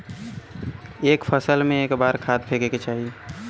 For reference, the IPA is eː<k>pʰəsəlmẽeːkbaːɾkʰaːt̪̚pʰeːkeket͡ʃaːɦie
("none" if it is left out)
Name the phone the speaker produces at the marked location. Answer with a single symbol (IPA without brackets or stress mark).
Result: k